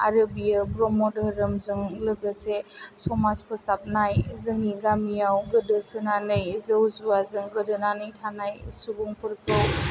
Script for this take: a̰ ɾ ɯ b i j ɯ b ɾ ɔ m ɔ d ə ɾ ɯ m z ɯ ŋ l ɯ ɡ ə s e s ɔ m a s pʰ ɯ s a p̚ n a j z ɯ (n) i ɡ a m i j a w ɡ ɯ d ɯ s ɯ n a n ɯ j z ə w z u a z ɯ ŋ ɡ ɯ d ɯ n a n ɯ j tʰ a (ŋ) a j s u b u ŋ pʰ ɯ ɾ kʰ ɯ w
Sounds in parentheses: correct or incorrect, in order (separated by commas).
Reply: incorrect, incorrect